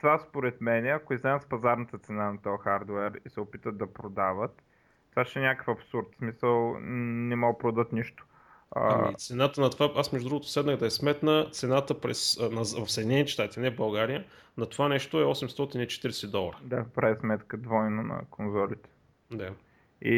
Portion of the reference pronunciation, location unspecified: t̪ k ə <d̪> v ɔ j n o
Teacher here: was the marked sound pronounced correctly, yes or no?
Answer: yes